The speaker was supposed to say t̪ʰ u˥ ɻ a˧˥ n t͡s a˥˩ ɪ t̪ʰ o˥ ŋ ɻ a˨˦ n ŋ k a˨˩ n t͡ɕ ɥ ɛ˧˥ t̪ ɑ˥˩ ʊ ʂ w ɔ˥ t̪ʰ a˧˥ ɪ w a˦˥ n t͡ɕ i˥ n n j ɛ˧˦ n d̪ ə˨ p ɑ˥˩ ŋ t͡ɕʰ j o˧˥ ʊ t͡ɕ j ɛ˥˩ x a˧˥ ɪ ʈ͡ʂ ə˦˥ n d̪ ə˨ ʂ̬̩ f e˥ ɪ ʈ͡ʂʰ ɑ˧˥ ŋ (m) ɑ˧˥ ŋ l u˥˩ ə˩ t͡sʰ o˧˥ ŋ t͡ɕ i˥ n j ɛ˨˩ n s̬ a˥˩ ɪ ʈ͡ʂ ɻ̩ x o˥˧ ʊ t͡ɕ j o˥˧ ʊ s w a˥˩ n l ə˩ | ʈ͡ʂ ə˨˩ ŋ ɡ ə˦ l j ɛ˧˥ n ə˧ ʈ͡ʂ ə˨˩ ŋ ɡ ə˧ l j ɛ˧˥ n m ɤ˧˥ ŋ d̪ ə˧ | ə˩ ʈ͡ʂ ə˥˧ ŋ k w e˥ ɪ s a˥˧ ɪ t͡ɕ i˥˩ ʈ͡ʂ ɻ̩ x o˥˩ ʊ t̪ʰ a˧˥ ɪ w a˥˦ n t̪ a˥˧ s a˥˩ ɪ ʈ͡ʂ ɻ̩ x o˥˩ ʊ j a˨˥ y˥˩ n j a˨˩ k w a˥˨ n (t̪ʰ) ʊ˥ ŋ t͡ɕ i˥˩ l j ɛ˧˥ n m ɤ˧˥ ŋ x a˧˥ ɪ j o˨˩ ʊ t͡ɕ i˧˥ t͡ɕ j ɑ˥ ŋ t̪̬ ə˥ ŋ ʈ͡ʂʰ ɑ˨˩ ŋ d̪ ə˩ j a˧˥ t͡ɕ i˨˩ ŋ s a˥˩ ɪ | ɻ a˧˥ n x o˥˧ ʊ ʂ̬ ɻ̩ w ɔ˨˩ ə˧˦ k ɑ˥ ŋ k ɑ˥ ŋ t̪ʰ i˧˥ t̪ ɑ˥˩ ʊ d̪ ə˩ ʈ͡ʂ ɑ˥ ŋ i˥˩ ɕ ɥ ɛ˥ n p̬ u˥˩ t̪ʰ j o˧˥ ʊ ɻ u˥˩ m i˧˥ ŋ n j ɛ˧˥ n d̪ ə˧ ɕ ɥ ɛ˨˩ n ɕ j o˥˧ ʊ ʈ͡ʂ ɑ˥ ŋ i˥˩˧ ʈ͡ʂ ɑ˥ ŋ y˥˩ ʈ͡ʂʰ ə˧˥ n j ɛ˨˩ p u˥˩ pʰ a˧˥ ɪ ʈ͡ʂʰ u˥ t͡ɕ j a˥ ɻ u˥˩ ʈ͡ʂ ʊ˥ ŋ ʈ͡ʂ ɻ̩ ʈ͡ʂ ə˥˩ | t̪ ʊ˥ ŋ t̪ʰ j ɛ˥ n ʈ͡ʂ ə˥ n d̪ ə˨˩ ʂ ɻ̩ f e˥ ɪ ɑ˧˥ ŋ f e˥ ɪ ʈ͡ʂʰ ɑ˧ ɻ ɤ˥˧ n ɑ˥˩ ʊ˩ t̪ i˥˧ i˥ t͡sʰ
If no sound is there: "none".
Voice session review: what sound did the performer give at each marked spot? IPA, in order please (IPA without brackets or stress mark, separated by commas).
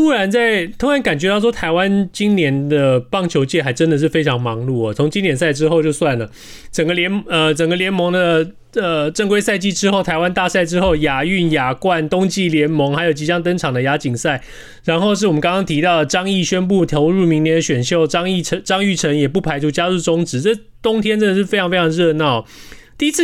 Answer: m, t̪